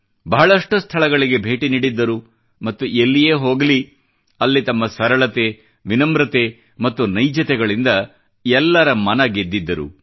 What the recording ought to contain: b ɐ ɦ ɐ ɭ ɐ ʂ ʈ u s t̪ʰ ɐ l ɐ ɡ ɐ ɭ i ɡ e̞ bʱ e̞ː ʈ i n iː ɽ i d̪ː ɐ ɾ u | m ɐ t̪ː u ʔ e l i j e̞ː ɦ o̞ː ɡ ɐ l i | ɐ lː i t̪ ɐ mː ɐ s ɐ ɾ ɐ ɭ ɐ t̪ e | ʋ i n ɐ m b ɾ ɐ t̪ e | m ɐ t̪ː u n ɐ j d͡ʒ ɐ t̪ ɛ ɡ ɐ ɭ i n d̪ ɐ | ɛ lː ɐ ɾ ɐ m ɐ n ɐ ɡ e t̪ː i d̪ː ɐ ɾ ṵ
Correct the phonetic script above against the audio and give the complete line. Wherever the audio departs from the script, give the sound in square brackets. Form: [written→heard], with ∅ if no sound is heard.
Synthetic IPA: b ɐ ɦ ɐ ɭ ɐ ʂ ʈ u s t̪ʰ ɐ [l→ɭ] ɐ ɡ ɐ ɭ i ɡ e̞ bʱ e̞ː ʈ i n iː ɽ i d̪ː ɐ ɾ u | m ɐ t̪ː u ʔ e [l→lː] i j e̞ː ɦ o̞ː ɡ ɐ l i | ɐ lː i t̪ ɐ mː ɐ s ɐ ɾ ɐ ɭ ɐ t̪ e | ʋ i n ɐ m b ɾ ɐ t̪ e | m ɐ t̪ː u n ɐ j d͡ʒ ɐ t̪ ɛ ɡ ɐ ɭ i n d̪ ɐ | ɛ lː ɐ ɾ ɐ m ɐ n ɐ ɡ e [t̪ː→d̪ː] i d̪ː ɐ ɾ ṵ

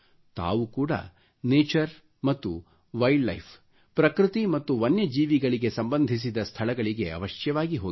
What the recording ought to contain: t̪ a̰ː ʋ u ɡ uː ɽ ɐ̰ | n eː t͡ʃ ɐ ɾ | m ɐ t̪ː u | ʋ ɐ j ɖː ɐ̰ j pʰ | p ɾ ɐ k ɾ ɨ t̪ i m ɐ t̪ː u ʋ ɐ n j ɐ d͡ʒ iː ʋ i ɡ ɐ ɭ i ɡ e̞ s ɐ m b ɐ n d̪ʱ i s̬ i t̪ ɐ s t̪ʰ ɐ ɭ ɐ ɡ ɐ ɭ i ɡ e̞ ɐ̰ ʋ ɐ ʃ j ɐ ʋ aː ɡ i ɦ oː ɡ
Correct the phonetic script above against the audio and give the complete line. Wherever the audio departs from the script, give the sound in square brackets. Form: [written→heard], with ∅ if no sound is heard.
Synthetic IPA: t̪ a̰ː ʋ u [ɡ→k] uː ɽ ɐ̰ | n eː t͡ʃ ɐ ɾ | m ɐ t̪ː u | ʋ ɐ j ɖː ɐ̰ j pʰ | p ɾ ɐ k ɾ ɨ t̪ i m ɐ t̪ː u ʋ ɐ n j ɐ d͡ʒ iː ʋ i ɡ ɐ ɭ i ɡ e̞ s ɐ m b ɐ n d̪ʱ i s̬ i [t̪→d̪] ɐ s t̪ʰ ɐ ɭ ɐ ɡ ɐ ɭ i ɡ e̞ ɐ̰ ʋ ɐ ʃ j ɐ ʋ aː ɡ i ɦ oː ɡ

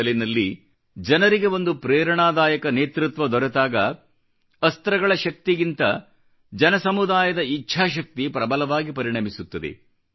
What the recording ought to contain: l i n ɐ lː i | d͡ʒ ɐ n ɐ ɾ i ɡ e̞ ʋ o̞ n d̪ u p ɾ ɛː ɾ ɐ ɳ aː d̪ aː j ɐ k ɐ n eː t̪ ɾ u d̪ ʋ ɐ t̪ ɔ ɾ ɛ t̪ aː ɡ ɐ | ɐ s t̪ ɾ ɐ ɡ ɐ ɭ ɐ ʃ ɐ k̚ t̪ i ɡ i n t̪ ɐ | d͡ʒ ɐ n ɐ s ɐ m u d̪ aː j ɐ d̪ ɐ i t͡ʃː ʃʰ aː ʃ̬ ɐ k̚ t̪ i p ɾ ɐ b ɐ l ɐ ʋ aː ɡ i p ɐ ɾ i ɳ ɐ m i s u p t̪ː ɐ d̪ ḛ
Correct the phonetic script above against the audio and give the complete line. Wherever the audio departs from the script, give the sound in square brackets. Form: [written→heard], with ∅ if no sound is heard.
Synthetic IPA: l i n ɐ lː i | d͡ʒ ɐ n ɐ ɾ i ɡ e̞ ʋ o̞ n d̪ u p ɾ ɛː ɾ ɐ ɳ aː d̪ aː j ɐ k ɐ n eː t̪ ɾ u [d̪→t̪] ʋ ɐ [t̪→d̪] ɔ ɾ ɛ t̪ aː ɡ ɐ | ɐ s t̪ ɾ ɐ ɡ ɐ ɭ ɐ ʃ ɐ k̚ t̪ i ɡ i n t̪ ɐ | d͡ʒ ɐ n ɐ s ɐ m u d̪ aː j ɐ d̪ ɐ i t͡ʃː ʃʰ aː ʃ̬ ɐ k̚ t̪ i p ɾ ɐ b ɐ l ɐ ʋ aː ɡ i p ɐ ɾ i ɳ ɐ m i s u [p→∅] t̪ː ɐ d̪ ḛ

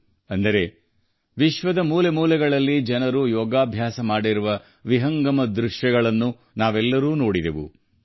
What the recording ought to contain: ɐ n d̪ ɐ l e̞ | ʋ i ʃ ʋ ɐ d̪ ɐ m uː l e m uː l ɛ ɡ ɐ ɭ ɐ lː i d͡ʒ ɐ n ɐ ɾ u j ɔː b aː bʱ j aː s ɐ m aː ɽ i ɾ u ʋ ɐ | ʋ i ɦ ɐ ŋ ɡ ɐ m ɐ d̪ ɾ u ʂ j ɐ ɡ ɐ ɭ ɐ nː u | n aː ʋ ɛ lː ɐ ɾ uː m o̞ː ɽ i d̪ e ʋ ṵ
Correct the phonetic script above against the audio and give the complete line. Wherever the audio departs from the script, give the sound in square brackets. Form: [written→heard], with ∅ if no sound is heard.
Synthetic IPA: ɐ n d̪ ɐ [l→ɾ] e̞ | ʋ i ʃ ʋ ɐ d̪ ɐ m uː l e m uː l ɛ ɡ ɐ ɭ ɐ lː i d͡ʒ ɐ n ɐ ɾ u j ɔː [b→ɡ] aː bʱ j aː s ɐ m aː ɽ i ɾ u ʋ ɐ | ʋ i ɦ ɐ ŋ ɡ ɐ m ɐ d̪ ɾ u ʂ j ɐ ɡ ɐ ɭ ɐ nː u | n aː ʋ ɛ lː ɐ ɾ uː [m→n] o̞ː ɽ i d̪ e ʋ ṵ

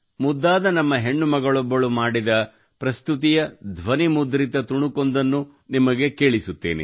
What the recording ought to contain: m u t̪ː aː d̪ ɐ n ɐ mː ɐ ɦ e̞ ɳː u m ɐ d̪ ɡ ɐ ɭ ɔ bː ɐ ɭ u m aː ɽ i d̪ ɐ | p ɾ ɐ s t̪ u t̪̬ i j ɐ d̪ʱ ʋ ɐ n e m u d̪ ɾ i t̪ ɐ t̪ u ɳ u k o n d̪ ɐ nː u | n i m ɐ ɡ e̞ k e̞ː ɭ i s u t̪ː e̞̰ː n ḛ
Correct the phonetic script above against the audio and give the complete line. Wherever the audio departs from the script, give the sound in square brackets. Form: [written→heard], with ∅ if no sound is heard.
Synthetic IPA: m u [t̪ː→d̪ː] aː d̪ ɐ n ɐ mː ɐ ɦ e̞ ɳː u m ɐ [d̪→∅] ɡ ɐ ɭ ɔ bː ɐ ɭ u m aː ɽ i d̪ ɐ | p ɾ ɐ s t̪ u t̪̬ i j ɐ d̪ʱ ʋ ɐ n [e→i] m u d̪ ɾ i t̪ ɐ t̪ u ɳ u k o n d̪ ɐ nː u | n i m ɐ ɡ e̞ k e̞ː ɭ i s u t̪ː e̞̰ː n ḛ

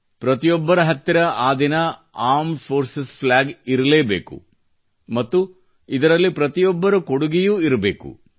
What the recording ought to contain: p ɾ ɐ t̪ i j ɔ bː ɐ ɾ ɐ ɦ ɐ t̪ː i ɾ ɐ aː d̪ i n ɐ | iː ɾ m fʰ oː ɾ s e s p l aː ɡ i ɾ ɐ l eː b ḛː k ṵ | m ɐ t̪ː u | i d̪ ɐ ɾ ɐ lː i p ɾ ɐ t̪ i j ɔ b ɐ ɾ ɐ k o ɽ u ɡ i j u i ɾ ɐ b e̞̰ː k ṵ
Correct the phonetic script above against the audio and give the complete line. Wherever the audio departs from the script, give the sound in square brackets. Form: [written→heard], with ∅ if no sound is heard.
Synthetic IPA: p ɾ ɐ t̪ i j ɔ bː ɐ ɾ ɐ ɦ ɐ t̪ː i ɾ ɐ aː d̪ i n ɐ | [iː→aː] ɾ m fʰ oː ɾ s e s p l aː ɡ i ɾ ɐ l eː b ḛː k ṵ | m ɐ t̪ː u | i d̪ ɐ ɾ ɐ lː i p ɾ ɐ t̪ i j ɔ [b→bː] ɐ ɾ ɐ k o ɽ u ɡ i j u i ɾ ɐ b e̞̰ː k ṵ

